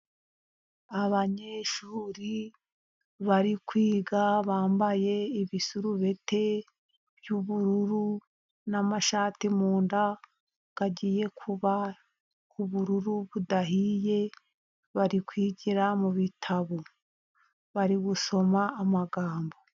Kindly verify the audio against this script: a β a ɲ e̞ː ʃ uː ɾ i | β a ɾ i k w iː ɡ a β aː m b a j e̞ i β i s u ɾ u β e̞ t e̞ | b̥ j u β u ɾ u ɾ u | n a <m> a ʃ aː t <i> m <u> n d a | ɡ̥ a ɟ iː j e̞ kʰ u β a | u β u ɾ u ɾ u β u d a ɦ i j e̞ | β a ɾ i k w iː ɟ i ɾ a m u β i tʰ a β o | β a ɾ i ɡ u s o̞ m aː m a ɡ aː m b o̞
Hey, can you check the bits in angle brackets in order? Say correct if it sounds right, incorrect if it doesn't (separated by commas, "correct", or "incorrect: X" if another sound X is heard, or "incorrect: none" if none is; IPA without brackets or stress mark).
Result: correct, correct, incorrect: uː